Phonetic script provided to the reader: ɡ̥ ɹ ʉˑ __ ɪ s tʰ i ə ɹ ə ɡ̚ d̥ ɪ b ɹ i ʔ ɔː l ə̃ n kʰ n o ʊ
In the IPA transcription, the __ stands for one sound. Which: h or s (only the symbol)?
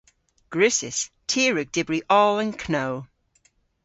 s